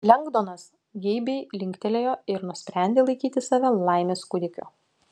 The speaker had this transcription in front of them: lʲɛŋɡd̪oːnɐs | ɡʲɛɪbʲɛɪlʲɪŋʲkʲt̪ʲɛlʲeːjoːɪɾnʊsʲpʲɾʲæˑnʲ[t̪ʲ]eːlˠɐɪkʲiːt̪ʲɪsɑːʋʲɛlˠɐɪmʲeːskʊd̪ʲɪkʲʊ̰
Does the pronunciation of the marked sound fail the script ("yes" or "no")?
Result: yes